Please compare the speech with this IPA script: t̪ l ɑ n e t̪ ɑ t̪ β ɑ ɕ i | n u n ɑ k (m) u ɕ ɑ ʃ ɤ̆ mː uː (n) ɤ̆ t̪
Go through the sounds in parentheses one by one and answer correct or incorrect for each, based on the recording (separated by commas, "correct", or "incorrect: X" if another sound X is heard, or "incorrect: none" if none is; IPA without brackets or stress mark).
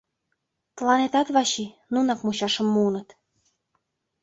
correct, correct